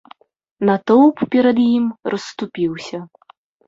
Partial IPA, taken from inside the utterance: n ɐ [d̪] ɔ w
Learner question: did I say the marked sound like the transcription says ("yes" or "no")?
no